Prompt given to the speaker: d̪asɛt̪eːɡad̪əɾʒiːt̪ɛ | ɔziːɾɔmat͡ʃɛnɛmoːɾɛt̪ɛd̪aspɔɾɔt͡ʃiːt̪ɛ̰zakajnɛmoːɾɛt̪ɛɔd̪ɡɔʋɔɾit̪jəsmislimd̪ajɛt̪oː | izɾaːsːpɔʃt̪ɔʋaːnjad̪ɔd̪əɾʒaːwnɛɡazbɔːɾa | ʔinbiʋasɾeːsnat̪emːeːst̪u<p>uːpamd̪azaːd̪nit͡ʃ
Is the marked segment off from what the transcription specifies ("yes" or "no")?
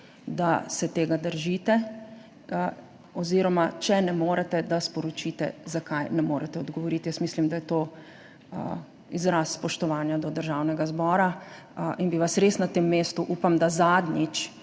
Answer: yes